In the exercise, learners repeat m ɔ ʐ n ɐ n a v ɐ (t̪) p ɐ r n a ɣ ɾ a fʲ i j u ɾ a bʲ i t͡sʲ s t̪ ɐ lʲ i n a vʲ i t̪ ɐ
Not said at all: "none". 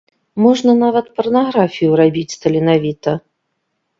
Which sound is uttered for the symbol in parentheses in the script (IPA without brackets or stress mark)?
t̪